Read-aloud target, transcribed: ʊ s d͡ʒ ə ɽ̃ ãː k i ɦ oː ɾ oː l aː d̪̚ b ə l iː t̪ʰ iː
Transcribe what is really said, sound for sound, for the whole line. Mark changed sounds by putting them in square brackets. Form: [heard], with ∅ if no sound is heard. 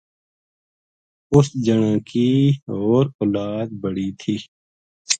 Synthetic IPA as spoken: ʊ s d͡ʒ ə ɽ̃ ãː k i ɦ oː ɾ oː l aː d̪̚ b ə [ɽ] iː t̪ʰ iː